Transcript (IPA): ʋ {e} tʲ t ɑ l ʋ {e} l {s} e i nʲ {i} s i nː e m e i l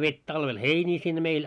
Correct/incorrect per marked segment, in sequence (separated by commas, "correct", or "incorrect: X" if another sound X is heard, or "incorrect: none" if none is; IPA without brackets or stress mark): correct, correct, incorrect: h, incorrect: iː